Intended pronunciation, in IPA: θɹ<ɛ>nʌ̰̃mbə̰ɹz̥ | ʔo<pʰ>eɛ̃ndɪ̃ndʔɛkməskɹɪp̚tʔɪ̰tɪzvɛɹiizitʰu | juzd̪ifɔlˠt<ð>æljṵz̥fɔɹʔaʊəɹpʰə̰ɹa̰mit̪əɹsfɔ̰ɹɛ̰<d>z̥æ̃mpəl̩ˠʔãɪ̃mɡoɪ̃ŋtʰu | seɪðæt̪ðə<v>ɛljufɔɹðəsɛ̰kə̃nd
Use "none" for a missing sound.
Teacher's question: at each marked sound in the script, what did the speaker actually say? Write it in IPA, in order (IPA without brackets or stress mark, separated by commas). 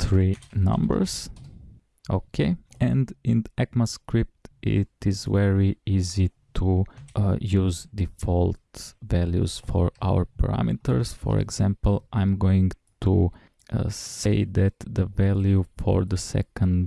i, kʰ, v, ɡ, v